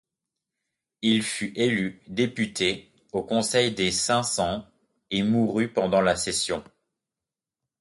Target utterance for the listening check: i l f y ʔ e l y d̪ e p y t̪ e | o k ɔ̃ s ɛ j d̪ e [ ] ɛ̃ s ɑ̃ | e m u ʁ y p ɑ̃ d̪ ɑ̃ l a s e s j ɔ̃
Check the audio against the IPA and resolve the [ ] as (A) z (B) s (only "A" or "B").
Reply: B